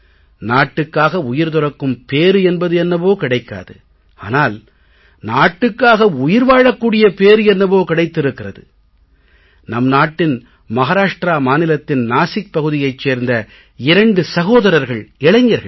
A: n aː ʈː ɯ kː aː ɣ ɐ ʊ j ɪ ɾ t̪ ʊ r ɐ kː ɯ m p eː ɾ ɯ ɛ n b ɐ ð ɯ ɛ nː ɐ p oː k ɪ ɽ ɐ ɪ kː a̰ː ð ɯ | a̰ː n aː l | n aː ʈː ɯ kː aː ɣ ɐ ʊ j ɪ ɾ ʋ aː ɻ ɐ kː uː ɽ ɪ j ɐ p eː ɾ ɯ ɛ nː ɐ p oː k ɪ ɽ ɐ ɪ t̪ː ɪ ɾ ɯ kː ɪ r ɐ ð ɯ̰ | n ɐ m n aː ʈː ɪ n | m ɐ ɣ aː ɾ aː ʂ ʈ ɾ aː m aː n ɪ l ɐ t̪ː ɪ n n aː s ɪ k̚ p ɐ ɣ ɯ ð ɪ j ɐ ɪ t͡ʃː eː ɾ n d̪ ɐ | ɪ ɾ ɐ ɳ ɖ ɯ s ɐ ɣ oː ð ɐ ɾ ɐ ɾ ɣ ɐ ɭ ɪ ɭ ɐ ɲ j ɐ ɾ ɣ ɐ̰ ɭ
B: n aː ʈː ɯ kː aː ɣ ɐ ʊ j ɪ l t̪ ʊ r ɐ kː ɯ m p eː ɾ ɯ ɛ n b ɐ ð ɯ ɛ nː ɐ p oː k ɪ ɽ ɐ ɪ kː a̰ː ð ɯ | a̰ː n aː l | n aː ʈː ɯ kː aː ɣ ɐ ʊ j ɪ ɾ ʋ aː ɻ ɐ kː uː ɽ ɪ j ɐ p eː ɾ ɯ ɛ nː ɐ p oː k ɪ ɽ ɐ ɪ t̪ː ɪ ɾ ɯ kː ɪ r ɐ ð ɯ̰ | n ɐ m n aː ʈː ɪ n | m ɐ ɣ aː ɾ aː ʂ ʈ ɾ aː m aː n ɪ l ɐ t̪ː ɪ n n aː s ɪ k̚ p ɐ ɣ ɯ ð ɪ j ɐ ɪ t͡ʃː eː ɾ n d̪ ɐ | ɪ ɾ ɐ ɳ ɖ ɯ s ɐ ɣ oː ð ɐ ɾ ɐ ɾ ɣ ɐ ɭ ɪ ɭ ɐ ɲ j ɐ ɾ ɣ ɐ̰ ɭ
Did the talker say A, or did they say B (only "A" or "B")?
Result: A